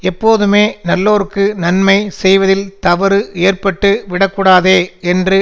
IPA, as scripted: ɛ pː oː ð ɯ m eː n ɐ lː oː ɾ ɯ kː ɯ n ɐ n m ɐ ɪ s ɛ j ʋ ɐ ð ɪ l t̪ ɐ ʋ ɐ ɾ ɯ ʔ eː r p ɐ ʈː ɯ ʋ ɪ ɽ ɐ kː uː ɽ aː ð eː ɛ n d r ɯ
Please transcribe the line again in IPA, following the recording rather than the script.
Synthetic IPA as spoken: ɛ pː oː ð ɯ m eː n ɐ lː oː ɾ ɯ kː ɯ n ɐ n m ɐ ɪ s ɛ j ʋ ɐ ð ɪ l t̪ ɐ ʋ ɐ ɾ ɯ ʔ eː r p ɐ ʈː ɯ ʋ ɪ ɽ ɐ kː uː ɽ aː ð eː ɛ n d r ɯ